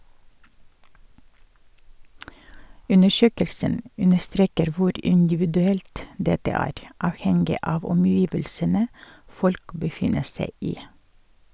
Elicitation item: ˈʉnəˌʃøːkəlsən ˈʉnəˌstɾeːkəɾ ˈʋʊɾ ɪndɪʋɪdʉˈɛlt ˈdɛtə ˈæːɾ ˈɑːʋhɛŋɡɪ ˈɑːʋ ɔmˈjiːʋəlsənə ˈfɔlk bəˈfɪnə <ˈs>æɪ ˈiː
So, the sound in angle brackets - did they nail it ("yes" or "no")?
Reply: yes